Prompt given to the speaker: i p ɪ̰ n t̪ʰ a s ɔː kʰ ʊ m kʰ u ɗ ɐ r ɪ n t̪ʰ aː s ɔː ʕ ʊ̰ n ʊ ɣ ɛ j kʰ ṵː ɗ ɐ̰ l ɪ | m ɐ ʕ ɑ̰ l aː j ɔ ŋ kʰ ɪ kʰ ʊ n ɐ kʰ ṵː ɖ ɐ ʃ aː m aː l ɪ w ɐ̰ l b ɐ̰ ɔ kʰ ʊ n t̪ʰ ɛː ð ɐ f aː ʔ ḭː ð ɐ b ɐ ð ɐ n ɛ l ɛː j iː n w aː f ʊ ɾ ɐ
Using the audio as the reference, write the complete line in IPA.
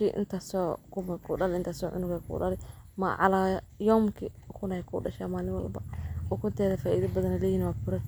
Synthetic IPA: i ʔ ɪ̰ n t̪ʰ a s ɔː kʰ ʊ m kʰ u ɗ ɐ l ɪ n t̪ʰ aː s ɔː ʕ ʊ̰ n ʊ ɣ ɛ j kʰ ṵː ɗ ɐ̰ l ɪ | m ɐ ʕ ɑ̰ l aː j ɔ m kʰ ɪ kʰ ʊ n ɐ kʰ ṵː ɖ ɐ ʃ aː m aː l ɪ w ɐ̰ l b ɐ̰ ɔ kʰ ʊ n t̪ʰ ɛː ð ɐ f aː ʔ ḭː ð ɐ b ɐ ð ɐ n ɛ l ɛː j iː n w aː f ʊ ɾ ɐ

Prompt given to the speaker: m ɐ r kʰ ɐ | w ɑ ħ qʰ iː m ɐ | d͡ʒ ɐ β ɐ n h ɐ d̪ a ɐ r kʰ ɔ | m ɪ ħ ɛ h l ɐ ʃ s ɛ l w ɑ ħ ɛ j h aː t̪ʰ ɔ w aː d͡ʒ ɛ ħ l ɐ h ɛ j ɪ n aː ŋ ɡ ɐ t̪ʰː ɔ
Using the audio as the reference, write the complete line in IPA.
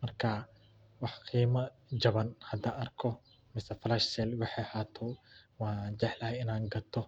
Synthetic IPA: m ɐ r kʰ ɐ | w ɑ ħ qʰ iː m ɐ | d͡ʒ ɐ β ɐ n h ɐ d̪ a ɐ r kʰ ɔ | m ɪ s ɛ f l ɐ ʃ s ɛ l w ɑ ħ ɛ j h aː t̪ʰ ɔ w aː d͡ʒ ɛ ħ l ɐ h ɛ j ɪ n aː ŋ ɡ ɐ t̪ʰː ɔ

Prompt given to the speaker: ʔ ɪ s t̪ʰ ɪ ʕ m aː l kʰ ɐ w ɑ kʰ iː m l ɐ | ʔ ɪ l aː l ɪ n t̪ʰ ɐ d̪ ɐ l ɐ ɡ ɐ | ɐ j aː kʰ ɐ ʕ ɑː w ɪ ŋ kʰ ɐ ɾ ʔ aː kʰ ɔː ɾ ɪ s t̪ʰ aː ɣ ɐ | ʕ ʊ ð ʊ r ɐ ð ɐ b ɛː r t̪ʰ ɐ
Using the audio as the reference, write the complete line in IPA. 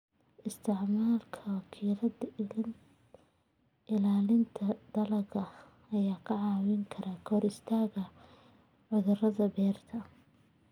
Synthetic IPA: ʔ ɪ s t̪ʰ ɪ ʕ m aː l kʰ ɐ w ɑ kʰ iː l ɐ | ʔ ɪ l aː l ɪ n t̪ʰ ɐ d̪ ɐ l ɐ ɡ ɐ | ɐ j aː kʰ ɐ ʕ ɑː w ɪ ŋ kʰ ɐ ɾ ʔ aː kʰ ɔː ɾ ɪ s t̪ʰ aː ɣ ɐ | ʕ ʊ ð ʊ r ɐ ð ɐ b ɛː r t̪ʰ ɐ

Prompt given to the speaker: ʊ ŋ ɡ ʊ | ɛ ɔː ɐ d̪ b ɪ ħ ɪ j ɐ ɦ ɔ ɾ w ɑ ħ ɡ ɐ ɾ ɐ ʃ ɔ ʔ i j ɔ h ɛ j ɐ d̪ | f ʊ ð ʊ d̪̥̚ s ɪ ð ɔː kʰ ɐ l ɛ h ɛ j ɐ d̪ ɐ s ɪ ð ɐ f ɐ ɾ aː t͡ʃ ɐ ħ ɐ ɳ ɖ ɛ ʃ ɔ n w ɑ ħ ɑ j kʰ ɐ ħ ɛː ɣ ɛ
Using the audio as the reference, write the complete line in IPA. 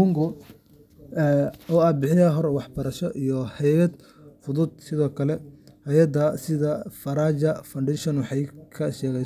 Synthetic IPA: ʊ ŋ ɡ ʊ | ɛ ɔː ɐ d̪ b ɪ ħ ɪ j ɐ ɦ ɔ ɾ w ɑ ħ b ɐ ɾ ɐ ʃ ɔ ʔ i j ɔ h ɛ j ɐ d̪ | f ʊ ð ʊ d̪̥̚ s ɪ ð ɔː kʰ ɐ l ɛ h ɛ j ɐ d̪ ɐ s ɪ ð ɐ f ɐ ɾ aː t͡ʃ ɐ f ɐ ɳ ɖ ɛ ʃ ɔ n w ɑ ħ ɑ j kʰ ɐ ʃ ɛː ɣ ɛ

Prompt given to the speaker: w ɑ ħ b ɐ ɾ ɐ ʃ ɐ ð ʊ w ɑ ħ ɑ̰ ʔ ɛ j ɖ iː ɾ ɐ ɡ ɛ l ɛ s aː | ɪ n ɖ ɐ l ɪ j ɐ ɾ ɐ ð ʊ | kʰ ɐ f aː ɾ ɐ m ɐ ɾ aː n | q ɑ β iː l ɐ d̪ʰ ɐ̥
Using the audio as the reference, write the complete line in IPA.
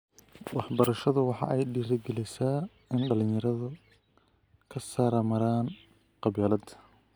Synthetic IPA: w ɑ ħ b ɐ ɾ ɐ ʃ ɐ ð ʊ w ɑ ħ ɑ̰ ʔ ɛ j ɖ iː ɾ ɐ ɡ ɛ l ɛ s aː | ɪ n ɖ ɐ l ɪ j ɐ ɾ ɐ ð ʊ | kʰ ɐ s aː ɾ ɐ m ɐ ɾ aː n | q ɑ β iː l ɐ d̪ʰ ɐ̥

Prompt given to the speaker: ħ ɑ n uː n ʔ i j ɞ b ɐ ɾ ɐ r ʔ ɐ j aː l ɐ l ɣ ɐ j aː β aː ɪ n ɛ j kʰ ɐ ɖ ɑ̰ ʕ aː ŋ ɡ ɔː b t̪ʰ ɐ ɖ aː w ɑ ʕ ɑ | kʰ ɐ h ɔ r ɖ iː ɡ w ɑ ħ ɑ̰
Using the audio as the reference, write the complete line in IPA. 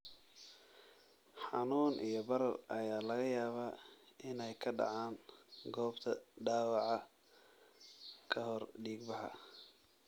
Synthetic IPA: ħ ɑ n uː n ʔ i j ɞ b ɐ ɾ ɐ r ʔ ɐ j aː l ɐ ɣ ɐ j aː β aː ɪ n ɛ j kʰ ɐ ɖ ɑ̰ ʕ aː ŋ ɡ ɔː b t̪ʰ ɐ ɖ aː w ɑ ʕ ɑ | kʰ ɐ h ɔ r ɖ iː ɡ b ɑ ħ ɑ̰

